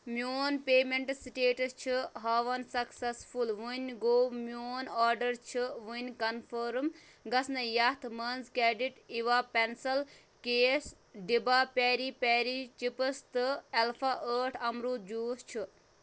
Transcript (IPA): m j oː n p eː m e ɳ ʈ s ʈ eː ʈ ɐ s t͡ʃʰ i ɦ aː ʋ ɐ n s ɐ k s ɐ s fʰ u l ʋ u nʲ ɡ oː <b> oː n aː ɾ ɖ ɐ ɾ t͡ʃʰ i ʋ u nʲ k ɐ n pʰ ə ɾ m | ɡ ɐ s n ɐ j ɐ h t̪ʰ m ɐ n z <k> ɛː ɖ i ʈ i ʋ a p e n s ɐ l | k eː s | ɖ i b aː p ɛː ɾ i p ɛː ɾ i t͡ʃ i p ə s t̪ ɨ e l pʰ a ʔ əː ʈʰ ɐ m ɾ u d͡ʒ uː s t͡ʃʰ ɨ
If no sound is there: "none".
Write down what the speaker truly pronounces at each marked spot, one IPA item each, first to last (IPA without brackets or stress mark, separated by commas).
m, k